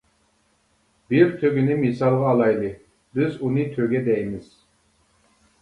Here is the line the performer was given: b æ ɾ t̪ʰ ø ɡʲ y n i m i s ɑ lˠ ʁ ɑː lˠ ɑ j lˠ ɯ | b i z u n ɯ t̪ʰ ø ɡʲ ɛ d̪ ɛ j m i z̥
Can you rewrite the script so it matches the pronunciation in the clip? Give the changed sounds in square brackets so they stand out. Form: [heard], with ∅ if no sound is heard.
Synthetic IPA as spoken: b [i] ɾ t̪ʰ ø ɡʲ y n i m i s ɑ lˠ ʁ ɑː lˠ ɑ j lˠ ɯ | b i z u n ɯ t̪ʰ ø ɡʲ ɛ d̪ ɛ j m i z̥

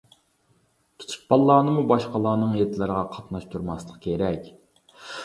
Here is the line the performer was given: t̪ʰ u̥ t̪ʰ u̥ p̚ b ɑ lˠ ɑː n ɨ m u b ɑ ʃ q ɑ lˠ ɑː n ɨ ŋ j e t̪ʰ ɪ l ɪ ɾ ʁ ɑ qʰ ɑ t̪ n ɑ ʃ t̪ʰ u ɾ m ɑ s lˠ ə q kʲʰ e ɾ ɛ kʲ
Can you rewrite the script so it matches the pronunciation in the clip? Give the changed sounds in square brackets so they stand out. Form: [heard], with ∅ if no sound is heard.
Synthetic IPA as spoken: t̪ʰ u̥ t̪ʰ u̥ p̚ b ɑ [lˠː] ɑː n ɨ m u b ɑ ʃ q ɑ lˠ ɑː n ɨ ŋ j e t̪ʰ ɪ l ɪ ɾ ʁ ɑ qʰ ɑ t̪ n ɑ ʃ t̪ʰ u ɾ m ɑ s lˠ ə q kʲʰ e ɾ ɛ kʲ

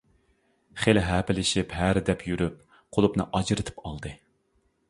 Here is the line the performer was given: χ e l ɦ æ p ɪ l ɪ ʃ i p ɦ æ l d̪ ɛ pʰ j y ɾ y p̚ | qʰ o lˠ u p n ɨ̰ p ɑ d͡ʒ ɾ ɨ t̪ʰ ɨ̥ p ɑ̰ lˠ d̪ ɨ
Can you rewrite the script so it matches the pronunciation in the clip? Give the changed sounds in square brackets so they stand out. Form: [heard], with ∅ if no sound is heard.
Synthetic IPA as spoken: χ e l ɦ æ p ɪ l ɪ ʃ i p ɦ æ [ɾ] d̪ ɛ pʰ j y ɾ y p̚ | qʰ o lˠ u p n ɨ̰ [ʔ] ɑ d͡ʒ ɾ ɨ t̪ʰ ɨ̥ p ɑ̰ lˠ d̪ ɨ

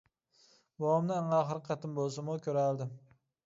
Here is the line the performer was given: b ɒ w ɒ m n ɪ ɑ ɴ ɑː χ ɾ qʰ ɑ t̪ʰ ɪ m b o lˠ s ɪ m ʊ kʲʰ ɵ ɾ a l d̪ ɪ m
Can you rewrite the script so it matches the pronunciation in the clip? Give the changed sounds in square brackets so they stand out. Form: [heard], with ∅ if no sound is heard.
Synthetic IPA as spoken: b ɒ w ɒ m n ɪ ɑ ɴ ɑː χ ɾ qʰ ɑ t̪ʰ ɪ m b o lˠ s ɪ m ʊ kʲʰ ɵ ɾ a l d̪ ɪ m

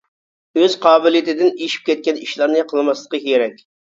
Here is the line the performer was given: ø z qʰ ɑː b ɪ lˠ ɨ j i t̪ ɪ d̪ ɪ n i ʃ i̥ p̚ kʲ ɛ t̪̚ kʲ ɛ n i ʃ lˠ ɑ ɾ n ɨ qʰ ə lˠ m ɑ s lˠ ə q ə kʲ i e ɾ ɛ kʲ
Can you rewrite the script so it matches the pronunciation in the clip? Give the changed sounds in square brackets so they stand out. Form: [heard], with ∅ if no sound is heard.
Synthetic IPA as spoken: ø z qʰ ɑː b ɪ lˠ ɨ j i t̪ ɪ d̪ ɪ n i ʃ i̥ p̚ kʲ ɛ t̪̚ kʲ ɛ n i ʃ lˠ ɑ ɾ n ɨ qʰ ə lˠ m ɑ s lˠ ə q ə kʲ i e ɾ ɛ kʲ

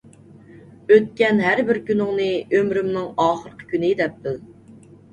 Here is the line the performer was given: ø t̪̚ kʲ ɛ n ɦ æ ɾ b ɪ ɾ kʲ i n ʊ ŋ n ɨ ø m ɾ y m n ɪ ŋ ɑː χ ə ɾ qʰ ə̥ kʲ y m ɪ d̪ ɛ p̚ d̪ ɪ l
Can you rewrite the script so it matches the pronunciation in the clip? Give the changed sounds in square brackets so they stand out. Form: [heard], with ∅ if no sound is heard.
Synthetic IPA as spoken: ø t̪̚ kʲ ɛ n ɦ æ ɾ b ɪ ɾ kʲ [y] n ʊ ŋ n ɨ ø m ɾ y m n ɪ ŋ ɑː χ ə ɾ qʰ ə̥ kʲ y [n] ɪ d̪ ɛ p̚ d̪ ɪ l

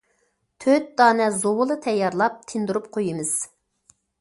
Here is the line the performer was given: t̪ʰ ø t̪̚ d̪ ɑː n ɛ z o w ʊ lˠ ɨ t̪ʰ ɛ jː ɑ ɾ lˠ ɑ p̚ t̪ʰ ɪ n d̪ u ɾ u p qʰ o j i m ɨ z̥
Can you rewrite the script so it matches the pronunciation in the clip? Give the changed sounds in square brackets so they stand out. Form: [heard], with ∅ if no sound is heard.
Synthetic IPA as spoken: t̪ʰ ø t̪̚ d̪ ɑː n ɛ z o w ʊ lˠ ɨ t̪ʰ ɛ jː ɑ ɾ lˠ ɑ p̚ t̪ʰ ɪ n d̪ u ɾ u p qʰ o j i m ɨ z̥

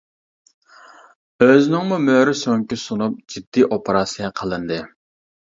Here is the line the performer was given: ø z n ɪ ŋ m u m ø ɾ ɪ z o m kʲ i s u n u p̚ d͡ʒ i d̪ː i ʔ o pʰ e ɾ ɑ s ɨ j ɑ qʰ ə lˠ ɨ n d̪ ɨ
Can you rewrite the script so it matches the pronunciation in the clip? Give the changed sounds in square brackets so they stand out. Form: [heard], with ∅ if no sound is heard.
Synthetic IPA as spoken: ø z n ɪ ŋ m u m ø ɾ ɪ [s] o [ŋ] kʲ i s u n u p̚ d͡ʒ i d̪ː i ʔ o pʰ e ɾ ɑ s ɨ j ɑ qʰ ə lˠ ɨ n d̪ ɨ

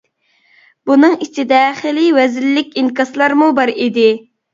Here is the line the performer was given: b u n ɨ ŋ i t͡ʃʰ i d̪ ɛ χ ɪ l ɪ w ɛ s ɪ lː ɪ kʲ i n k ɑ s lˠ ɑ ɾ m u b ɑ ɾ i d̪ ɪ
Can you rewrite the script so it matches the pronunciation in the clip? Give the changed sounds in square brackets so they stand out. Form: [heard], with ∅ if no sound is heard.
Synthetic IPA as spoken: b u n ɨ ŋ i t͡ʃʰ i d̪ ɛ χ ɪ l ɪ w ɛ [z] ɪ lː ɪ kʲ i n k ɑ s lˠ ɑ ɾ m u b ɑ ɾ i d̪ ɪ

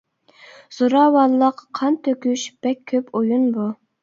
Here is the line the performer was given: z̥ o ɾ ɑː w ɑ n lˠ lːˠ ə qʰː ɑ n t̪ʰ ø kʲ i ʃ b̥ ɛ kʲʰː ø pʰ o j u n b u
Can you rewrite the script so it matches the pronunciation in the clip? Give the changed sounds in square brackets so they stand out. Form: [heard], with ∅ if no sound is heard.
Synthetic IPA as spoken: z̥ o ɾ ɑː w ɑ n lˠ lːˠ ə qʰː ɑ n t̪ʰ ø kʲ [y] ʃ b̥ ɛ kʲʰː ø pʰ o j u n b u

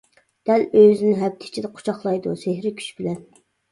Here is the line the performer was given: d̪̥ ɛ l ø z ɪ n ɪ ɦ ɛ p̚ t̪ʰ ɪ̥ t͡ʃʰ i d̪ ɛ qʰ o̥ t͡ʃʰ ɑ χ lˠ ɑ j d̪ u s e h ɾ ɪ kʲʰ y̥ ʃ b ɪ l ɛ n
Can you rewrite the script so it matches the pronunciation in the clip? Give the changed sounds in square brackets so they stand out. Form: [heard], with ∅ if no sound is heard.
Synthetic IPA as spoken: d̪̥ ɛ l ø z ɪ n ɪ ɦ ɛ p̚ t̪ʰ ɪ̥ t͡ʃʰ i d̪ ɛ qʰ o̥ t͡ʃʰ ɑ χ lˠ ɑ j d̪ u s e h ɾ ɪ kʲʰ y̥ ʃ b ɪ l ɛ n

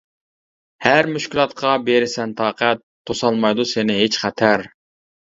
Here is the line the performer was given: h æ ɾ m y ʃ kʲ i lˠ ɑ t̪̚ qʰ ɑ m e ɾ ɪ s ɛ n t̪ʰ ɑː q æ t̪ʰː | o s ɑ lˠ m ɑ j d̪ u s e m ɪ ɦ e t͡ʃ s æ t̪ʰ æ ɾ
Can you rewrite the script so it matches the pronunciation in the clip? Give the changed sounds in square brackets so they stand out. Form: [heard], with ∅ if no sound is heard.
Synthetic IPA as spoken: h æ ɾ m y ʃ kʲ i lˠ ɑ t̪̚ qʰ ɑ [b] e ɾ ɪ s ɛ n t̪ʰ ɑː q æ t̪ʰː | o s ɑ lˠ m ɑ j d̪ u s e [n] ɪ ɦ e t͡ʃ [χ] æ t̪ʰ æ ɾ

